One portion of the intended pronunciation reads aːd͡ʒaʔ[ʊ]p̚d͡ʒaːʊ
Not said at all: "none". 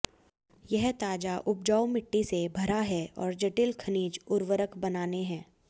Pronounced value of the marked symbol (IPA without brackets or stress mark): ʊ